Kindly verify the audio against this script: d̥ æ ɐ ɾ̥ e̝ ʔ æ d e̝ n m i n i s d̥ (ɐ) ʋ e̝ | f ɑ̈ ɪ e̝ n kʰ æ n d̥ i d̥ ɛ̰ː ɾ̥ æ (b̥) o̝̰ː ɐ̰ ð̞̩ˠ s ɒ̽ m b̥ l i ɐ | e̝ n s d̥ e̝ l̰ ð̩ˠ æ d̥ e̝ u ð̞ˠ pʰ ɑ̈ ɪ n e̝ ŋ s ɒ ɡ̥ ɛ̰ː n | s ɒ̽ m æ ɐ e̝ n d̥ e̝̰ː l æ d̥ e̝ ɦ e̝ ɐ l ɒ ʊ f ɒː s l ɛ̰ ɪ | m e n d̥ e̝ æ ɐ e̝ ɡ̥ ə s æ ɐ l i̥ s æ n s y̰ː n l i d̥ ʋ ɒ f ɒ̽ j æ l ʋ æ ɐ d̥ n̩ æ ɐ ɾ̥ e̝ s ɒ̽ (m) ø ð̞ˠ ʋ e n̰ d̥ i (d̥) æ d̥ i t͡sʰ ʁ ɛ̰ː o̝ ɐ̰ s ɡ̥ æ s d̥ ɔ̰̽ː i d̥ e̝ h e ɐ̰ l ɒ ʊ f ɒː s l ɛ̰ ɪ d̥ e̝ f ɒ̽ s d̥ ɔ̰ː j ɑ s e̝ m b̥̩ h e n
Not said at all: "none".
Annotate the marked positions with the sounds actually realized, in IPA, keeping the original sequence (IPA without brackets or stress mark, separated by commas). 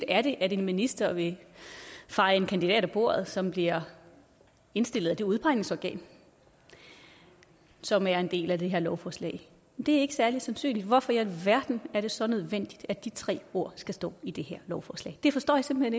ɐ, b̥, n, d̥